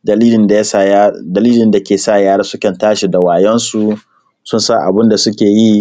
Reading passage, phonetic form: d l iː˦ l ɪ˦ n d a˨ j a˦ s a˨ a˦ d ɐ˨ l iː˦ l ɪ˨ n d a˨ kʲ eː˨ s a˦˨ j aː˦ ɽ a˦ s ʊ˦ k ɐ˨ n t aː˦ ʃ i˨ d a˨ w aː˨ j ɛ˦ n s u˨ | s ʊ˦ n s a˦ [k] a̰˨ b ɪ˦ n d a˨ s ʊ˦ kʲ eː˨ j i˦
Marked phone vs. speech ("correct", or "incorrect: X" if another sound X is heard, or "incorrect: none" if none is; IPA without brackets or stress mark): incorrect: ʔ